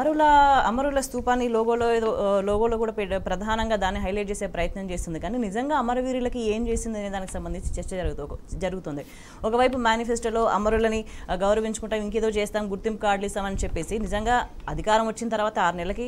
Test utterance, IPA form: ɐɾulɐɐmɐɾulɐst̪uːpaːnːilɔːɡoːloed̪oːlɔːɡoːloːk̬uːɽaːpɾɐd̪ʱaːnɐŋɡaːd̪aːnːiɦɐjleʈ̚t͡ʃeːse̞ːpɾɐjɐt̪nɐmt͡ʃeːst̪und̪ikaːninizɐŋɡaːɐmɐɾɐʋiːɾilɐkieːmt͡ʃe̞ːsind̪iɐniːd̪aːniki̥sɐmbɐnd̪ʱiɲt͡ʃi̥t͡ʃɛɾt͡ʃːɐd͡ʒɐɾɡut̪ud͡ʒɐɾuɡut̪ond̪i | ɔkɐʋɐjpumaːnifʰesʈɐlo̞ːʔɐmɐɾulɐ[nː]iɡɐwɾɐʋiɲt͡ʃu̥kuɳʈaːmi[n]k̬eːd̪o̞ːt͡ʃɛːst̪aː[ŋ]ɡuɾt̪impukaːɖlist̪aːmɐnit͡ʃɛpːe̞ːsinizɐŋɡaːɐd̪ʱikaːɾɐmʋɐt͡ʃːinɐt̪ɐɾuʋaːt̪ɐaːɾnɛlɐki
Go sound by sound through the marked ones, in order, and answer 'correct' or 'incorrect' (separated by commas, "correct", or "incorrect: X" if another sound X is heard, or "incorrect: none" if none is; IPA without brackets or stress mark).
incorrect: n, incorrect: ŋ, incorrect: m